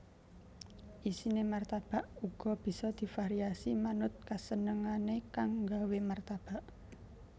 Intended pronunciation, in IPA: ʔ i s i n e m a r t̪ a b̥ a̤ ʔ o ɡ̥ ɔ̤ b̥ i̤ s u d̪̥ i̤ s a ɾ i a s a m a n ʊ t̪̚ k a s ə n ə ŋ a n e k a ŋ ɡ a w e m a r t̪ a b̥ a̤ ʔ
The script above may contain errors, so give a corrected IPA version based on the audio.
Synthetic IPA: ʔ i s i n e m a r t̪ a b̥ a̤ ʔ u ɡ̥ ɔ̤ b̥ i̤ s ɔ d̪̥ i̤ f a ɾ i a s i m a n ʊ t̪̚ k a s ə n ə ŋ a n e k a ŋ ɡ a w e m a r t̪ a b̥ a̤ ʔ